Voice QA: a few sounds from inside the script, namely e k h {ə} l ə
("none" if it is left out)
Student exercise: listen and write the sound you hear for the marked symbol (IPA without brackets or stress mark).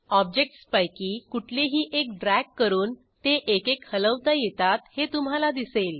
ə